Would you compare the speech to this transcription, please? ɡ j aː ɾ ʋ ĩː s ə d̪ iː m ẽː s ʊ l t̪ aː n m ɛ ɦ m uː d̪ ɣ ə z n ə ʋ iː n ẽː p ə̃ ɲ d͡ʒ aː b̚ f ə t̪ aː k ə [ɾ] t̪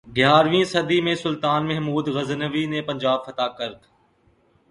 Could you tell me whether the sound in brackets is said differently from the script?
no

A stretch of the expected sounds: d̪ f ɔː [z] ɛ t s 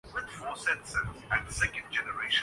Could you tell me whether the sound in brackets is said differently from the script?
yes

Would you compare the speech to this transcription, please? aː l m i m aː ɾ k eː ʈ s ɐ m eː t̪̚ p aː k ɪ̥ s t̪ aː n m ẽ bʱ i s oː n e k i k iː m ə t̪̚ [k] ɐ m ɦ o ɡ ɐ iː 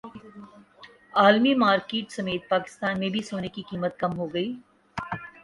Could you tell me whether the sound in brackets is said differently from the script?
no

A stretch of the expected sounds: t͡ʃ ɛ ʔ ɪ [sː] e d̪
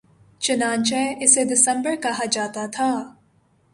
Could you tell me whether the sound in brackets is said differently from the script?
yes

